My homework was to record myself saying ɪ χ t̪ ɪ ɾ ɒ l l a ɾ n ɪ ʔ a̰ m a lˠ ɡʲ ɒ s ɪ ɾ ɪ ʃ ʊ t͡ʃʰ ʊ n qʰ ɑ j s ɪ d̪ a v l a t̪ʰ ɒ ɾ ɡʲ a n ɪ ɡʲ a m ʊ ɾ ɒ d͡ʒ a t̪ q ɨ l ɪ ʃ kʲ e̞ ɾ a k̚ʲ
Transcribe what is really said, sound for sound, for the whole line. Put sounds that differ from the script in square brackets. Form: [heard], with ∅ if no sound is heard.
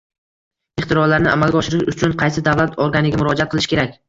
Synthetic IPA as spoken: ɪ χ t̪ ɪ ɾ ɒ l l a ɾ n ɪ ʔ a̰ m a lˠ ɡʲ ɒ [ʃ] ɪ ɾ ɪ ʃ ʊ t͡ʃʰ ʊ n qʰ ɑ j s ɪ d̪ a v l a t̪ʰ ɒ ɾ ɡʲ a n ɪ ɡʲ a m ʊ ɾ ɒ d͡ʒ a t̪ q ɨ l ɪ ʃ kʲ e̞ ɾ a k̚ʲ